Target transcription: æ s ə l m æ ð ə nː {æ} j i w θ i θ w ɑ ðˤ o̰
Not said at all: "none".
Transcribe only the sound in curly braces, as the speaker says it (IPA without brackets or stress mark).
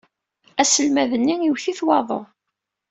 i